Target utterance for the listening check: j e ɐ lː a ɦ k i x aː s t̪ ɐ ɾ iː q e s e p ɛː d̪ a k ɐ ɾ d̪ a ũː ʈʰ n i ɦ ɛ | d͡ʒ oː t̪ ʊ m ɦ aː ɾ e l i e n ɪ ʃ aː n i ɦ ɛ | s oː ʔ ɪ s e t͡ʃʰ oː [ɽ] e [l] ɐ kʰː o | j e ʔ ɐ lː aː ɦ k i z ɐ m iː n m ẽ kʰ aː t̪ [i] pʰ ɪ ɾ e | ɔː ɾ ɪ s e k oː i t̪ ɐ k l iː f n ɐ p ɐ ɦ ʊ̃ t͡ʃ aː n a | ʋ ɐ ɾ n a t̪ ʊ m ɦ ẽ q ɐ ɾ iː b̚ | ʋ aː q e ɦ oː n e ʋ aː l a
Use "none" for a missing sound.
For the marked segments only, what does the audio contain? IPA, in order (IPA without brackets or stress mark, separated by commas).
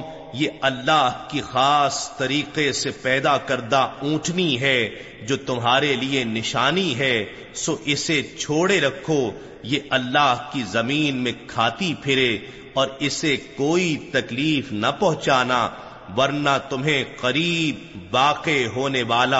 ɽ, ɾ, i